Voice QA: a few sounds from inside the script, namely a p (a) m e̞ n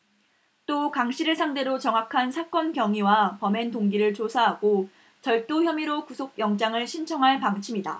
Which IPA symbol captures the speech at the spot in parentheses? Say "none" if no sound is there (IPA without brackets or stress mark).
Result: ʌ